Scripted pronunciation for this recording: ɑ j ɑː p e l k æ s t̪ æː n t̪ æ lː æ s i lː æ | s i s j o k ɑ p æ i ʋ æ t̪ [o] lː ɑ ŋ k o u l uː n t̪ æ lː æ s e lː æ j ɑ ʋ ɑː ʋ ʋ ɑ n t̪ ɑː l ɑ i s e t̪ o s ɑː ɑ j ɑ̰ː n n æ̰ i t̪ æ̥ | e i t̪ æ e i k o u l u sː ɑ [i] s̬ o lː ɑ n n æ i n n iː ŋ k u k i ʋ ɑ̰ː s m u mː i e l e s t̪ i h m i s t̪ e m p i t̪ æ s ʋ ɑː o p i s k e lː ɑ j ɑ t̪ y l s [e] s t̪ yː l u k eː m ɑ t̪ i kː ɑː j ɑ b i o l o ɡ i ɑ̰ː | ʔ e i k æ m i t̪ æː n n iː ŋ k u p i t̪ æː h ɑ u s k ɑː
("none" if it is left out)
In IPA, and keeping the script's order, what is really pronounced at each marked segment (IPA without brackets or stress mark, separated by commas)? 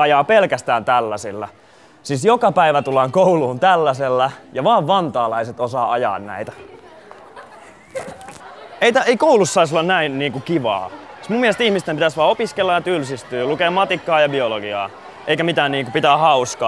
u, i, i